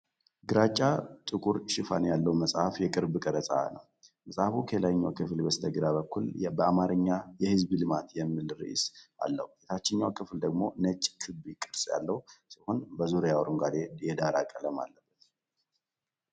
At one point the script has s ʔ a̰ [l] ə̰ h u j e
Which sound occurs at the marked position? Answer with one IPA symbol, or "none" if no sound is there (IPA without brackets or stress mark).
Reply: lː